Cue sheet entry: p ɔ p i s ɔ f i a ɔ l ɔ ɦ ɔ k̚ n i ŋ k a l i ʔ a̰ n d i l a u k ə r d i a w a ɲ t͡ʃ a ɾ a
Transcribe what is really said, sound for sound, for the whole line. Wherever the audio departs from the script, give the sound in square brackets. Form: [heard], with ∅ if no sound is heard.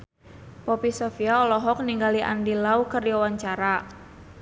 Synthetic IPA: p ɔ p i s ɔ f i a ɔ l ɔ ɦ ɔ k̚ n i ŋ [ɡ] a l i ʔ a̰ n d i l a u k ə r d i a w a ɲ t͡ʃ a ɾ a